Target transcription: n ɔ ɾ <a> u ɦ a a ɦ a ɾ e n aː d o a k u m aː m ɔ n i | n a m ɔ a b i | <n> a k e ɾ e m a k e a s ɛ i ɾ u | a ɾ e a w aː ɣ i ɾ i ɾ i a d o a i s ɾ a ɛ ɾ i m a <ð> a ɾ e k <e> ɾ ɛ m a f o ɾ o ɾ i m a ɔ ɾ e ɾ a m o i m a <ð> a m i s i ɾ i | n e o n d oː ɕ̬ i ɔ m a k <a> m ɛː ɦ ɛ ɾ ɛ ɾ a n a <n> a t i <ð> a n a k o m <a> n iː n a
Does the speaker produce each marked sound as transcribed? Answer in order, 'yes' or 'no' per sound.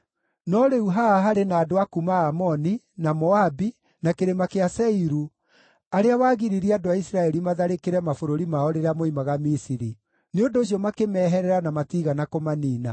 no, yes, yes, yes, no, no, no, no, yes

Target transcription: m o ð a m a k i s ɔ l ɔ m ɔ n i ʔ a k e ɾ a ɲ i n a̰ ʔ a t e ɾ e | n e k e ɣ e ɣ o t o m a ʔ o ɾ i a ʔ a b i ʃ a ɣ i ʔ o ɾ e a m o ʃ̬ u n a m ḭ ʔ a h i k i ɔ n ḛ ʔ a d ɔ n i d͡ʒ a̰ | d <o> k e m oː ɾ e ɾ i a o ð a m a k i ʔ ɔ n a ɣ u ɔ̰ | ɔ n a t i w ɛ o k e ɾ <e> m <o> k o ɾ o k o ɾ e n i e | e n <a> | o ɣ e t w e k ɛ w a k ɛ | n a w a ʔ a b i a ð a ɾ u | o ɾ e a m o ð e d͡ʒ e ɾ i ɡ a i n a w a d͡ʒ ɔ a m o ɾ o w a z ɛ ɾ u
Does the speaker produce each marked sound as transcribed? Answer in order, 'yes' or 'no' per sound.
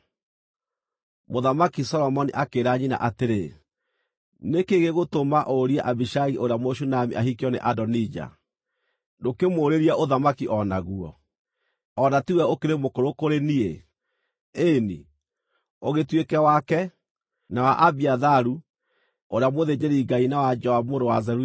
yes, yes, yes, no

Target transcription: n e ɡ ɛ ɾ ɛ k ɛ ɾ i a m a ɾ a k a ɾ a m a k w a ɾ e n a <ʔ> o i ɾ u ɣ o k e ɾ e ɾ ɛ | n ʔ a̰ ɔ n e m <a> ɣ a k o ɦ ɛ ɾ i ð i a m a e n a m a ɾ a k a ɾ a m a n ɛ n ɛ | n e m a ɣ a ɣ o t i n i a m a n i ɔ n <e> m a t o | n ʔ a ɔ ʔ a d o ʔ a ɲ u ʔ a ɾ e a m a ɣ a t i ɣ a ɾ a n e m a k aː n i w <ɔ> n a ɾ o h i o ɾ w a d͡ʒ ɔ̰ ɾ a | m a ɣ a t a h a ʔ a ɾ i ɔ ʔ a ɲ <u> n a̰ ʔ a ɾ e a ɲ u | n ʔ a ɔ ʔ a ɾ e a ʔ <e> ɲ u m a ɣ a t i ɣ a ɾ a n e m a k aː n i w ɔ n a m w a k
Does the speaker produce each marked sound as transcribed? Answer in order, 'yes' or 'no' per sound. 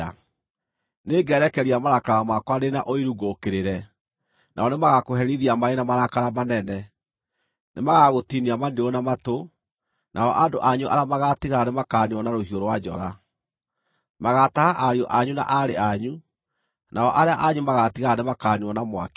yes, yes, no, yes, yes, no

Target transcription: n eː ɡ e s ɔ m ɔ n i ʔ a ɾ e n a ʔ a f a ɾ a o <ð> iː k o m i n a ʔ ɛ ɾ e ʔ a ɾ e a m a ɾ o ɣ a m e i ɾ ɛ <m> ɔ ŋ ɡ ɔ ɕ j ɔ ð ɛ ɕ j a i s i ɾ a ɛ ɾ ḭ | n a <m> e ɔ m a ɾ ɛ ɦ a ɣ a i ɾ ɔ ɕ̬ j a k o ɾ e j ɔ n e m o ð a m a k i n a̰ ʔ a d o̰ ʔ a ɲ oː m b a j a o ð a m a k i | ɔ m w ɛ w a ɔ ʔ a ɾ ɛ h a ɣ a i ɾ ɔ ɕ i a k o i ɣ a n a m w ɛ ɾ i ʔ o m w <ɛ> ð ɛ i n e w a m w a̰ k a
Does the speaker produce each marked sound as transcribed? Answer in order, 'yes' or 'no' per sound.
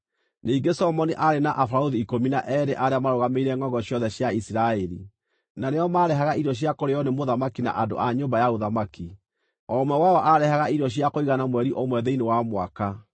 yes, no, no, yes

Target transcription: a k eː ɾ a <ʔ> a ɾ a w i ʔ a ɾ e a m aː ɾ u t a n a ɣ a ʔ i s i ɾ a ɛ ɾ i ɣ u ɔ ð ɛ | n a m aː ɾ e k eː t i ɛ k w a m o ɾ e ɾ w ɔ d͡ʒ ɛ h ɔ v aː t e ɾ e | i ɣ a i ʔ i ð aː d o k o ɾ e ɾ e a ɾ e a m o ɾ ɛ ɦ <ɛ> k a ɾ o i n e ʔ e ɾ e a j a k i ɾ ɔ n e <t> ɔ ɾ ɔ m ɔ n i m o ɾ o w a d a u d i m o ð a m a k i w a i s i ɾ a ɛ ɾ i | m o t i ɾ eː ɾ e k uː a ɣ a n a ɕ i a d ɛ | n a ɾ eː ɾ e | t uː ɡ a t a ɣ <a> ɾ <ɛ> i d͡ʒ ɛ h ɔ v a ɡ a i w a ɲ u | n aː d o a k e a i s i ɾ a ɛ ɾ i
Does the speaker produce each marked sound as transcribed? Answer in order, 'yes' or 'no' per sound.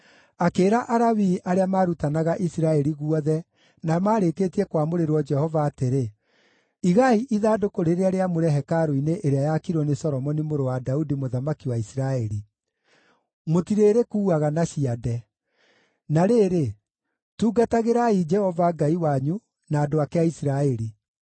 yes, yes, no, no, no

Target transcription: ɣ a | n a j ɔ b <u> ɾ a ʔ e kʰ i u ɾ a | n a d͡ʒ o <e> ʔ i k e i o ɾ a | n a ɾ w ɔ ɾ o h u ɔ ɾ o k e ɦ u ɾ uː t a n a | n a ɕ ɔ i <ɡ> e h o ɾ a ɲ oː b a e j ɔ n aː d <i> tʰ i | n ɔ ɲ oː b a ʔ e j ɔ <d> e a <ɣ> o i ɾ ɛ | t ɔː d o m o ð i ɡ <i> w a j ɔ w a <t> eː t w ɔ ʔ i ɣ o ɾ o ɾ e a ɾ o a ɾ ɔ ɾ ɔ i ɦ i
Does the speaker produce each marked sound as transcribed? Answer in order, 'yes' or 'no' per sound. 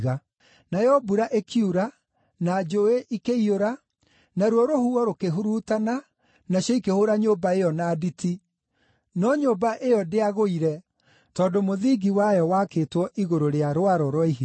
yes, yes, no, yes, yes, yes, yes, no

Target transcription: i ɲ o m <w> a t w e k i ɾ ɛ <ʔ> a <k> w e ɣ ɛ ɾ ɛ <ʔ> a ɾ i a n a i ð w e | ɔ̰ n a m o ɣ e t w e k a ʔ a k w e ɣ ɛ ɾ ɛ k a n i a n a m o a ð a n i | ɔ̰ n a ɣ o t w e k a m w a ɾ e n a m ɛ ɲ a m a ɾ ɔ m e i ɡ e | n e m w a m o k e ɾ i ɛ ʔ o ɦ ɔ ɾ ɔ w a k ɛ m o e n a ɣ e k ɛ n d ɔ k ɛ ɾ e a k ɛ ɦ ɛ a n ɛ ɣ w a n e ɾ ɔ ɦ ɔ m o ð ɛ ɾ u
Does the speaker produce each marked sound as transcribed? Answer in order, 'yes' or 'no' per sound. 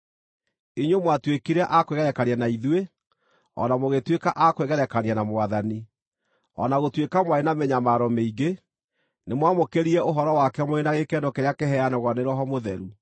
yes, yes, yes, no

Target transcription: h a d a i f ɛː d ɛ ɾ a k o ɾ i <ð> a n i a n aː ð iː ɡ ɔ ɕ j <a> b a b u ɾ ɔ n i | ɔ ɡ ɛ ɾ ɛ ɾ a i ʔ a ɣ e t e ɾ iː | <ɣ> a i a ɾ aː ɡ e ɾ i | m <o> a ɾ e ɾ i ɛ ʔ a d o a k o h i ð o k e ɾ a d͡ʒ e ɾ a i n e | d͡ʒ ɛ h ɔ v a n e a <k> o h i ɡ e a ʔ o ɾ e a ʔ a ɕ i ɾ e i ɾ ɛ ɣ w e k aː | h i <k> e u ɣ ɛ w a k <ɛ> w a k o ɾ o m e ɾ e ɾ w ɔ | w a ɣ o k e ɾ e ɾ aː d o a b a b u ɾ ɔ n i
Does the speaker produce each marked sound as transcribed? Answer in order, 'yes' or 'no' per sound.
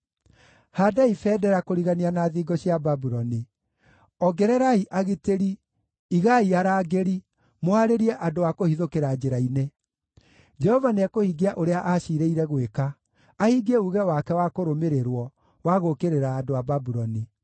no, yes, yes, yes, yes, no, yes

